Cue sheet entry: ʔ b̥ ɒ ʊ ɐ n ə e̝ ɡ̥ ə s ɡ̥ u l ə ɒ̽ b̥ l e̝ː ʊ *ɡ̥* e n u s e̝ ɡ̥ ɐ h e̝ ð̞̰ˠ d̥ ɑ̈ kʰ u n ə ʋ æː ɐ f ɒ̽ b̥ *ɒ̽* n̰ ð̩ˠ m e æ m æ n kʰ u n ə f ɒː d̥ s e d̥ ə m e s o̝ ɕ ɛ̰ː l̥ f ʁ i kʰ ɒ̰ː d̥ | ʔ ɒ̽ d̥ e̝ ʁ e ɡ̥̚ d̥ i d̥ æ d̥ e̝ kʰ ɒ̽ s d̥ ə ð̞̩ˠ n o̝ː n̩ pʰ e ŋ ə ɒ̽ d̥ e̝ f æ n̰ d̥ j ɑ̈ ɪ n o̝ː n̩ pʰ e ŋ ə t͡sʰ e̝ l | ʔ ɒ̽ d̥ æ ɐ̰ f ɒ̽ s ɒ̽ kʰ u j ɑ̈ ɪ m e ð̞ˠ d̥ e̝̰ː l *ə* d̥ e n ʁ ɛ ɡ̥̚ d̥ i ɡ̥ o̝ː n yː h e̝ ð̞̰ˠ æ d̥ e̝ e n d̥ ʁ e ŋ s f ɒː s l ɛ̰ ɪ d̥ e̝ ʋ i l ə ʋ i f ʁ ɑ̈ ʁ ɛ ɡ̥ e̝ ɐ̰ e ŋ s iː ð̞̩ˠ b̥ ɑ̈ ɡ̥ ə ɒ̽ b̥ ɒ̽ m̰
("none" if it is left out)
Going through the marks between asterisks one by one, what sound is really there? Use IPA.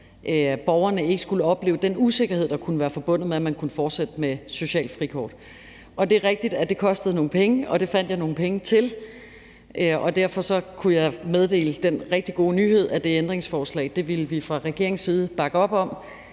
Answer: d̥, ɔ̽, ə

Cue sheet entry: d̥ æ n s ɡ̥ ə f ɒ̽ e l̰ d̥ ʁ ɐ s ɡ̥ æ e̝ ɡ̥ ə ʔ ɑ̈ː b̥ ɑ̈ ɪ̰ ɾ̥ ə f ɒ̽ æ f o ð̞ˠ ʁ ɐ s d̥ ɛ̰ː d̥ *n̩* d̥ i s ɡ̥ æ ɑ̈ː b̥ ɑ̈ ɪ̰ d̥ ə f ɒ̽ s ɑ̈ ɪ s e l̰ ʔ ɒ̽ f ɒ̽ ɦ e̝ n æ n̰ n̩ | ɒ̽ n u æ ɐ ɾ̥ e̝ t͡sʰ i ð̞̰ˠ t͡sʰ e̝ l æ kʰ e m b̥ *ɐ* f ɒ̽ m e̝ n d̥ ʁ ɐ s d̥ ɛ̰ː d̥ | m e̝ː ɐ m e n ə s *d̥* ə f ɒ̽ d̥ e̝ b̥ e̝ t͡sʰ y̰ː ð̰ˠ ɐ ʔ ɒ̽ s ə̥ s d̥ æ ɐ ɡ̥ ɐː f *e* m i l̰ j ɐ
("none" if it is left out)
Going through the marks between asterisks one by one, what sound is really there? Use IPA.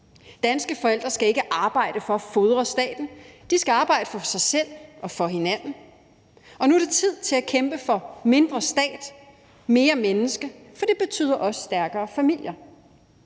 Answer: n̩, ə, ɡ̥, æ

